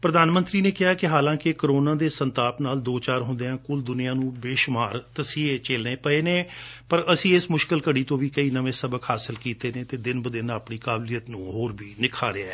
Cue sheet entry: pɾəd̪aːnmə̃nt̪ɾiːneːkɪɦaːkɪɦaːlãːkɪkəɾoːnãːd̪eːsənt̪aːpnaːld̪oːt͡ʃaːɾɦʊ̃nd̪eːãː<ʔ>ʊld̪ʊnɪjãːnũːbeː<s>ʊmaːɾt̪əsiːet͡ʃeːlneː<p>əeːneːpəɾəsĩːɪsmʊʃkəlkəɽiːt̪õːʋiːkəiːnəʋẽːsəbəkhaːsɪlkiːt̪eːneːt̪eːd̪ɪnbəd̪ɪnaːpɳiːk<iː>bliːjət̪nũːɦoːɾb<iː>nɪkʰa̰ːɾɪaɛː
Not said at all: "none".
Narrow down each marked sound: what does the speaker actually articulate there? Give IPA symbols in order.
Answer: k, ʃ, p, aː, iː

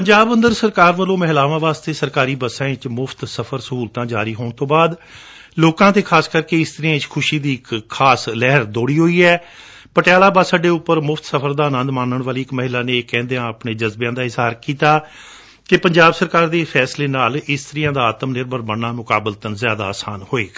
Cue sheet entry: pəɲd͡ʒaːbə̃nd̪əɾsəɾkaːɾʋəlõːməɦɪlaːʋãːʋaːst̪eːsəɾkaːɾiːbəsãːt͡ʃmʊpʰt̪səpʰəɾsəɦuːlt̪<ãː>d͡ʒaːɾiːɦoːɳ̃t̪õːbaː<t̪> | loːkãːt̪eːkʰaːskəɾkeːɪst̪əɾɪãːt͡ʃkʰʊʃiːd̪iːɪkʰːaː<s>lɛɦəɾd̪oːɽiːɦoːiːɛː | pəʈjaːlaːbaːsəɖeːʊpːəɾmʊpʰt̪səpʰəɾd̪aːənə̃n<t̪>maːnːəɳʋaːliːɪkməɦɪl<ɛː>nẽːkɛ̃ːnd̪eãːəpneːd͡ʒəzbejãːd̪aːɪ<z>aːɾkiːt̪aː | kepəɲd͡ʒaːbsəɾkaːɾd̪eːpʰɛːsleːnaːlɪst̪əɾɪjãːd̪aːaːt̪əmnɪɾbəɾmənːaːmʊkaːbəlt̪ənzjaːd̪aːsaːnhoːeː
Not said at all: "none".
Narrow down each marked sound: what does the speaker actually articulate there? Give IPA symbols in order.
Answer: ãː, d̪, s, d̪, aː, z

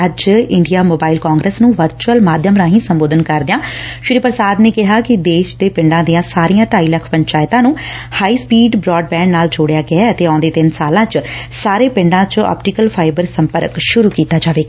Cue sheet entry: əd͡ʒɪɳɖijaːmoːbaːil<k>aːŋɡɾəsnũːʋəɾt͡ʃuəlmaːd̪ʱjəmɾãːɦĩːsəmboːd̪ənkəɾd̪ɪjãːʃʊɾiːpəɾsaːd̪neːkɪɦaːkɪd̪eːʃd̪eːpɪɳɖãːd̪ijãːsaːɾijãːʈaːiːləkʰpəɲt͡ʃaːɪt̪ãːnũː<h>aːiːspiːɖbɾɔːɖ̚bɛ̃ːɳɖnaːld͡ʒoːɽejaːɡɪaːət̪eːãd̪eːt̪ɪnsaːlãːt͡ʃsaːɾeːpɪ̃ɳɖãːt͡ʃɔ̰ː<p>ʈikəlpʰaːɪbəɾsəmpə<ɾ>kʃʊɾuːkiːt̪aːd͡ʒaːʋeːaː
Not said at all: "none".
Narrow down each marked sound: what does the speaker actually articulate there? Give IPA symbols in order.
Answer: k, h, p, ɾ

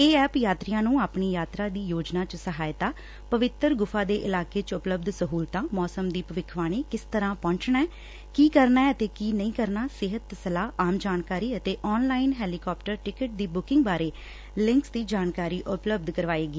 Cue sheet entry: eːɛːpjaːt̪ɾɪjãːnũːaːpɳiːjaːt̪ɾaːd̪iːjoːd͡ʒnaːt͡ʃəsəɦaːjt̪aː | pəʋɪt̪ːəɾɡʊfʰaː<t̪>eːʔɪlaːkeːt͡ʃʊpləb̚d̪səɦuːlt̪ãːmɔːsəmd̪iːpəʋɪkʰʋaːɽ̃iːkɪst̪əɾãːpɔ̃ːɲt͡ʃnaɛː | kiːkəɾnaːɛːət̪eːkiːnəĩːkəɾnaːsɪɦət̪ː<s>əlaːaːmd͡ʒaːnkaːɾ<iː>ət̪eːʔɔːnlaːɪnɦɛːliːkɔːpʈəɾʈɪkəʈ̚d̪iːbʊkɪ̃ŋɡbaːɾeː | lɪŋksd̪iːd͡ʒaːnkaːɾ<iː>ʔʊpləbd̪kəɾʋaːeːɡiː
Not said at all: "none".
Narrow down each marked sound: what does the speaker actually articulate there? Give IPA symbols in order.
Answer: d̪, s, iː, iː

